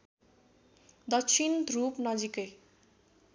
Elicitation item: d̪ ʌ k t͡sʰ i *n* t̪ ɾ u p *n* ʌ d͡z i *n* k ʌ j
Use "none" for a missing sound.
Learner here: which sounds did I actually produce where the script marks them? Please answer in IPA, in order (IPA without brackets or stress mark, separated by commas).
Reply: n, n, none